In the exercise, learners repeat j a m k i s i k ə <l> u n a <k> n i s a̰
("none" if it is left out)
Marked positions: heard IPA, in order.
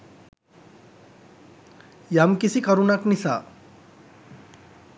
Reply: ɾ, k

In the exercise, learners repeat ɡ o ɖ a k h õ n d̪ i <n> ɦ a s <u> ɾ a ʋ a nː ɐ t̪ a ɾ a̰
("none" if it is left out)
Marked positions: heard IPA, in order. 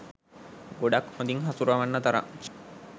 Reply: ŋ, u

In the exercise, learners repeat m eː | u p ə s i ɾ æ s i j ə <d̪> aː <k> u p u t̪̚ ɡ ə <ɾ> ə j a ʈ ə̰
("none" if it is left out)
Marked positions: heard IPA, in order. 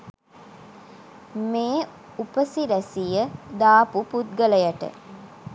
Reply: d̪, p, l

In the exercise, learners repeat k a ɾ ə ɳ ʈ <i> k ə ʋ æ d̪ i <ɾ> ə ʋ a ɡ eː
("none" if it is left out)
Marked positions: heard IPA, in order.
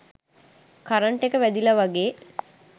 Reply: e, l

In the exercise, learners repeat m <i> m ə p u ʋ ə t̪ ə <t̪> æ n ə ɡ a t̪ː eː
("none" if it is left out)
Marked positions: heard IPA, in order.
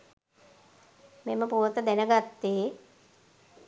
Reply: e, d̪

